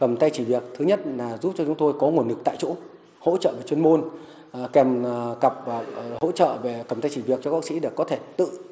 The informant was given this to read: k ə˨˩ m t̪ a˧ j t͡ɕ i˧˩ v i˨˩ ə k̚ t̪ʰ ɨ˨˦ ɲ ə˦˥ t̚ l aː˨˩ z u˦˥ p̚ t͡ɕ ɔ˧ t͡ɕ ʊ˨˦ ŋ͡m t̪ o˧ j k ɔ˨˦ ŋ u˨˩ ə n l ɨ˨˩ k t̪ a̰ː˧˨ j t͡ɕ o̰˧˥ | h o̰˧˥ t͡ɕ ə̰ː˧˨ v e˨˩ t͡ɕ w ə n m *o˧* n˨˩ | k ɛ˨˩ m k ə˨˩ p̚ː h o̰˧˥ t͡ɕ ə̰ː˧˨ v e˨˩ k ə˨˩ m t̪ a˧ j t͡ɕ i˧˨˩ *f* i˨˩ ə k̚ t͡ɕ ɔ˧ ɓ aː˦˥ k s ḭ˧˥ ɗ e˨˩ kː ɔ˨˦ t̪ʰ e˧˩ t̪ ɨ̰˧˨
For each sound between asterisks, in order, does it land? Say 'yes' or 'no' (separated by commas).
yes, no